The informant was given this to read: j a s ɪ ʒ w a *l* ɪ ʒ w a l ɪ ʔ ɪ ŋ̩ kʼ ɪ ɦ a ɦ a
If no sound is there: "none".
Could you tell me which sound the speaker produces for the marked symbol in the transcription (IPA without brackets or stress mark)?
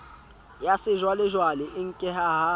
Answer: l